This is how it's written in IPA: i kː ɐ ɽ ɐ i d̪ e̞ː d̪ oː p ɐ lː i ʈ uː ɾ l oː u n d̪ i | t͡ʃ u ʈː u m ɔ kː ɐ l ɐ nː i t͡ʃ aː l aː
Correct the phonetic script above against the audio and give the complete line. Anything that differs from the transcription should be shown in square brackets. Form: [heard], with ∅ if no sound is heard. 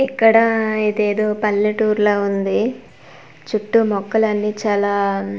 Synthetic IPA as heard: i kː ɐ ɽ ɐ i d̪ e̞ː d̪ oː p ɐ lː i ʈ uː ɾ l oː u n d̪ i | t͡ʃ u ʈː u m ɔ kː ɐ l ɐ nː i t͡ʃ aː l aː